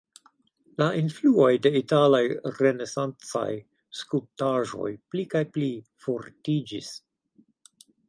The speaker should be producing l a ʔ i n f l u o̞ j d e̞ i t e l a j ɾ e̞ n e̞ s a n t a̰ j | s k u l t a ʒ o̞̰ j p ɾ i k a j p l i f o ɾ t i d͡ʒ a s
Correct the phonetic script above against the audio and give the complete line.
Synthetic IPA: l a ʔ i n f l u o̞ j d e̞ i t a l a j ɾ e̞ n e̞ s a n t͡s a̰ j | s k u l t a ʒ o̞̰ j p l i k a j p l i f o ɾ t i d͡ʒ i s